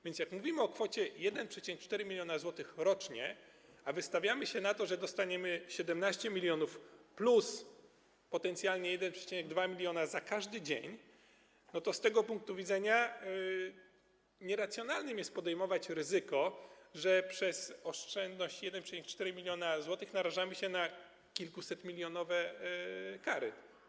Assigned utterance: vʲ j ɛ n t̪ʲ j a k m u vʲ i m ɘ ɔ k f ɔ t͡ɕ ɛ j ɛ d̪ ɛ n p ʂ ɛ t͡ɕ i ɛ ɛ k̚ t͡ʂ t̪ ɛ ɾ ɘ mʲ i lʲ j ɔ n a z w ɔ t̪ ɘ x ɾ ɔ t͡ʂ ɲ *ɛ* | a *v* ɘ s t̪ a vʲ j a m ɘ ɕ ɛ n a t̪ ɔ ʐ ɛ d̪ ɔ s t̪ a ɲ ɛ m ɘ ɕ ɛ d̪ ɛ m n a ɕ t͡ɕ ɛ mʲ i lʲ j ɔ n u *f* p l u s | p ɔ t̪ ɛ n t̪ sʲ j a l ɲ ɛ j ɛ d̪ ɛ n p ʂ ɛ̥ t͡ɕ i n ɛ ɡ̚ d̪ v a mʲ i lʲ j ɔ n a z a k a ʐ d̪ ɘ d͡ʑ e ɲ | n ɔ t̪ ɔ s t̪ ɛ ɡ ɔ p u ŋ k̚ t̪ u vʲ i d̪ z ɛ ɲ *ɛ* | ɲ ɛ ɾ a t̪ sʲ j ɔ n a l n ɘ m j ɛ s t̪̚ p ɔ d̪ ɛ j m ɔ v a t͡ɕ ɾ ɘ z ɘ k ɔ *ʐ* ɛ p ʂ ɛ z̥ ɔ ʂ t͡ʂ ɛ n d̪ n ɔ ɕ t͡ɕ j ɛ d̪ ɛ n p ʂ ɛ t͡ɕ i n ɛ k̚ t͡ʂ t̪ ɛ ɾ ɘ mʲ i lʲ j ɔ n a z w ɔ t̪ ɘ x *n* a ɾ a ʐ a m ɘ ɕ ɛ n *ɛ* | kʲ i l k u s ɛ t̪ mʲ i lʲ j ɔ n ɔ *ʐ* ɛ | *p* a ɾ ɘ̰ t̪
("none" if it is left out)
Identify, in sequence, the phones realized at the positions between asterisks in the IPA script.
ɛ, v, f, a, ʐ, n, a, v, k

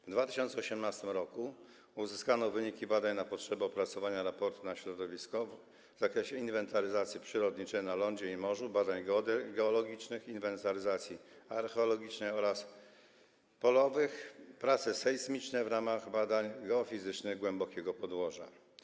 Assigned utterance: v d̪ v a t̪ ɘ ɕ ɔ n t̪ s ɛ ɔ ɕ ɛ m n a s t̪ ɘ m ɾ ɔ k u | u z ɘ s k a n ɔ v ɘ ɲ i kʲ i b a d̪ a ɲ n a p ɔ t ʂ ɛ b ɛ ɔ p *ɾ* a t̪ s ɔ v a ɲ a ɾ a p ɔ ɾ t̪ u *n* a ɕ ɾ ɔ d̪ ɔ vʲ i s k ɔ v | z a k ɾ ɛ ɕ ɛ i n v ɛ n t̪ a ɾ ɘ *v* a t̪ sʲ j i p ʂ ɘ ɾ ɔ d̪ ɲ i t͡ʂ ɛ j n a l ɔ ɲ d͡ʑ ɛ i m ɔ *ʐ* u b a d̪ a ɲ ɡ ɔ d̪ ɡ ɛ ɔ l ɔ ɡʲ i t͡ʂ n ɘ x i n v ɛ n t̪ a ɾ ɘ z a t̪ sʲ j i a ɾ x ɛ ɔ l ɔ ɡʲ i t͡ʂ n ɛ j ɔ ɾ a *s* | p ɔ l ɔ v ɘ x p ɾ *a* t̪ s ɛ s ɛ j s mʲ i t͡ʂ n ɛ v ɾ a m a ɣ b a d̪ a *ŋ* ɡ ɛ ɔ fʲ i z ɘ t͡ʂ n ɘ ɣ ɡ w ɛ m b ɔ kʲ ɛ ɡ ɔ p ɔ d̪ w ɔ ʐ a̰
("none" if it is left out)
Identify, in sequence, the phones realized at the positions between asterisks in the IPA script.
ɾ, n, z, ʐ, s, a, ɲ

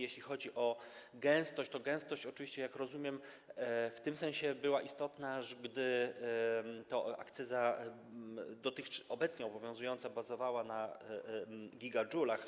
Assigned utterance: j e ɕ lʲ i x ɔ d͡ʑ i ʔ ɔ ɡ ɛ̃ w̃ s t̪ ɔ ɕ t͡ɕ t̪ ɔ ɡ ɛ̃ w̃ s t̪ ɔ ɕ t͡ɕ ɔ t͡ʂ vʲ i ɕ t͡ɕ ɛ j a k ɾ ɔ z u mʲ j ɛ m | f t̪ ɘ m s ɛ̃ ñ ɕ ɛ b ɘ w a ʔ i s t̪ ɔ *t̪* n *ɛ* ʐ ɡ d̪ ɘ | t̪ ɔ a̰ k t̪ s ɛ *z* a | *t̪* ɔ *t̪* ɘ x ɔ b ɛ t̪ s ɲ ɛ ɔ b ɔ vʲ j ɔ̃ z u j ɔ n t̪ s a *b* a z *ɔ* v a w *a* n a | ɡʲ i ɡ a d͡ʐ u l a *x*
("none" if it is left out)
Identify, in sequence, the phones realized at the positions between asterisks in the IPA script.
t̪, a, z, d̪, t̪, b, ɔ, a, x

